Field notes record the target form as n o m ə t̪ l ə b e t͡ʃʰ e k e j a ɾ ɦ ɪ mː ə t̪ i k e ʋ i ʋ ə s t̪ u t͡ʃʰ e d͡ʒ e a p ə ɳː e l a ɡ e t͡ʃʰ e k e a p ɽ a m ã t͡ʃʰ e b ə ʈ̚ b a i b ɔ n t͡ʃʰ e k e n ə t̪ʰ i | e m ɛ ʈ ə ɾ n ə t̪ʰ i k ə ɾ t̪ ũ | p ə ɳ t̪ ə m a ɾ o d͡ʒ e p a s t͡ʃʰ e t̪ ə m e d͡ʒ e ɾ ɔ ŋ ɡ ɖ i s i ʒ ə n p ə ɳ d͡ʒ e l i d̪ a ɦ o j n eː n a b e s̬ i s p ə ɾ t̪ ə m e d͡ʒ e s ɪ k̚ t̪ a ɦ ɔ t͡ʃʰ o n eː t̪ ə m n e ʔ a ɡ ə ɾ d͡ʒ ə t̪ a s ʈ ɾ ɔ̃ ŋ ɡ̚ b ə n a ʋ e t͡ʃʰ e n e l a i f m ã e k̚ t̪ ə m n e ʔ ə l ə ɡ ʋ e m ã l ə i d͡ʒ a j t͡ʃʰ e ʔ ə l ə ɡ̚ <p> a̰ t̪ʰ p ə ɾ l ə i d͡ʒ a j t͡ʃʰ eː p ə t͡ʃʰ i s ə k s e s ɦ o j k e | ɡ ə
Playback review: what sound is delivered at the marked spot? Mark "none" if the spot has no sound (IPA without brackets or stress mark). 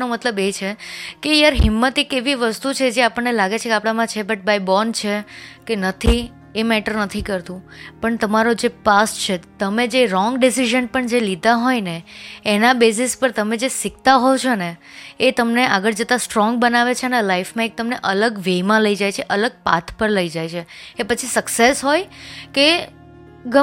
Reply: p